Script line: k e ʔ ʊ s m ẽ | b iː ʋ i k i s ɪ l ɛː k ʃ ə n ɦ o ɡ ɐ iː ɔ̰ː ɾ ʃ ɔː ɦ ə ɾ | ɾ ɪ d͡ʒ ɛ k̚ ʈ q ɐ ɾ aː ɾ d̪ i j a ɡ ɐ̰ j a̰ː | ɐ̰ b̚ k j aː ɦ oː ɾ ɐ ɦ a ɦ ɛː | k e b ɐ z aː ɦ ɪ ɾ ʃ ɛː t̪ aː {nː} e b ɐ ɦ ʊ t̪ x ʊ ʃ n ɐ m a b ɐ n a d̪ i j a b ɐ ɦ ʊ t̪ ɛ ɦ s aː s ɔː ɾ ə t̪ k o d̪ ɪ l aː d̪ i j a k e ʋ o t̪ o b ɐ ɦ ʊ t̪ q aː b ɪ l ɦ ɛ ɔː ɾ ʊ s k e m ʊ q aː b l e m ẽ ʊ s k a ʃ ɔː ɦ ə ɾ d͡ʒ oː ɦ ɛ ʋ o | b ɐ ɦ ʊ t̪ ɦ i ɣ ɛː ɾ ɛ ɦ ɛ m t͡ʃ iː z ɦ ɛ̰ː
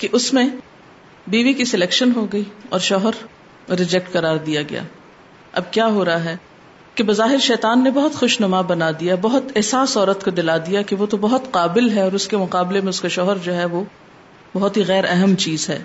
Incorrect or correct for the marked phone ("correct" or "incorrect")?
correct